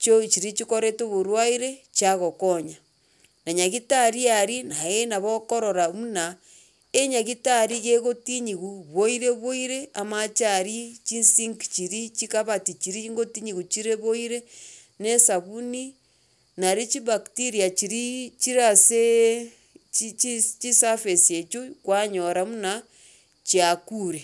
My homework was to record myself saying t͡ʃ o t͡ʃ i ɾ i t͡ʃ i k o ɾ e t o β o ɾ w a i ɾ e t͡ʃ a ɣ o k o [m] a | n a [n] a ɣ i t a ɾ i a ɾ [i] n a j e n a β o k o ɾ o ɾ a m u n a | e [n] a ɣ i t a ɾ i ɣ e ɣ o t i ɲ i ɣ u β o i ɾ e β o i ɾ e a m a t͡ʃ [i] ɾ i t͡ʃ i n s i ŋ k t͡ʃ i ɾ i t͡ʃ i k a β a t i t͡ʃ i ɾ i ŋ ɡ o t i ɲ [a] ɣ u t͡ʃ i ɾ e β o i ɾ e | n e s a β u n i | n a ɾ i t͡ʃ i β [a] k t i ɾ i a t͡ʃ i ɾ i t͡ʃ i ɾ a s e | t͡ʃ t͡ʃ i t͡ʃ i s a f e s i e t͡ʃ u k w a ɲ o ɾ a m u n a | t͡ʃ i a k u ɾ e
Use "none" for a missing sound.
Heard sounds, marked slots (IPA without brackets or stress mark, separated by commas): ɲ, ɲ, i, ɲ, a, i, a